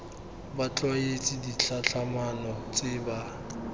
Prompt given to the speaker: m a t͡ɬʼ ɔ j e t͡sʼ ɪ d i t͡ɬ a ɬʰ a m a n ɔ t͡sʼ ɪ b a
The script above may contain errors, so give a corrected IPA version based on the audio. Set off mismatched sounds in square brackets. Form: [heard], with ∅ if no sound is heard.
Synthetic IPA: [b] a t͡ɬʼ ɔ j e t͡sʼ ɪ d i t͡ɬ a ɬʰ a m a n ɔ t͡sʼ ɪ b a

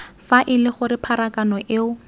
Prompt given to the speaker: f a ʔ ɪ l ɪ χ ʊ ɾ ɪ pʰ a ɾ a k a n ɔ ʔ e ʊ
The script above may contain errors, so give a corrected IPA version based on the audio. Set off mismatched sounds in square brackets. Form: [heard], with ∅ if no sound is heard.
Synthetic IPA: f a ʔ ɪ l ɪ χ ʊ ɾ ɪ pʰ a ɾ a k a n ɔ ʔ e ʊ

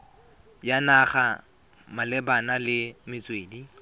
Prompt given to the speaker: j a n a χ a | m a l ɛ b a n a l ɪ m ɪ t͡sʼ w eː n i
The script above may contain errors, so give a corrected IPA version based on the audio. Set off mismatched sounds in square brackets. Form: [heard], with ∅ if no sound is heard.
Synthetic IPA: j a n a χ a | m a l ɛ b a n a l ɪ m ɪ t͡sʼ w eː [d] i

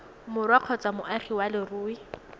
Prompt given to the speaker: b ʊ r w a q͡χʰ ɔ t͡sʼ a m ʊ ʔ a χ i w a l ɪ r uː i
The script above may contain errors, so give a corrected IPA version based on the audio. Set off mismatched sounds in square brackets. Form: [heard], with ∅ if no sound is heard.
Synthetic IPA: [m] ʊ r w a q͡χʰ ɔ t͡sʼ a m ʊ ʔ a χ i w a l ɪ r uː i

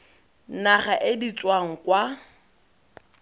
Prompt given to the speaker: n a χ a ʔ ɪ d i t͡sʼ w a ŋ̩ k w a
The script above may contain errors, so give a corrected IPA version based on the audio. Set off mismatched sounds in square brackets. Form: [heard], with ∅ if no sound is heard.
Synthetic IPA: n a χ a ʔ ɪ d i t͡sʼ w a ŋ̩ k w a

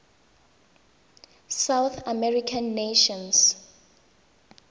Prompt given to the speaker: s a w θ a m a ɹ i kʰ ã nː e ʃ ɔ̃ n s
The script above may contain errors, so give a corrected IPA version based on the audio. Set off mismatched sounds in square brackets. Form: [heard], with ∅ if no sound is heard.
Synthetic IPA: s a w θ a m [ɛ] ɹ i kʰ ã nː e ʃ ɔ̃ n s

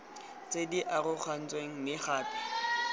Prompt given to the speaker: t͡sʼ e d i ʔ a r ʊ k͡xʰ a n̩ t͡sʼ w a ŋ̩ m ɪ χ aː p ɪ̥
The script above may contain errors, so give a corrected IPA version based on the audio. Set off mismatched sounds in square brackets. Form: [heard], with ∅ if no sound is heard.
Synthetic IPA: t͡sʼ e d i ʔ a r ʊ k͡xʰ a n̩ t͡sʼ w [e] ŋ̩ m ɪ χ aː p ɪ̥

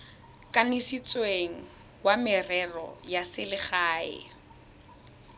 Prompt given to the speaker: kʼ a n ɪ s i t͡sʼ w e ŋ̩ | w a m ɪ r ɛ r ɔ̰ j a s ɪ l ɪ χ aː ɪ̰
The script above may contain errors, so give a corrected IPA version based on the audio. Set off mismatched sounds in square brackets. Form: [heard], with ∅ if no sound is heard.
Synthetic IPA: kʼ a n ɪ s i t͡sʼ w e ŋ̩ | w a m ɪ r ɛ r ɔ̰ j a s ɪ l ɪ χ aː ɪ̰

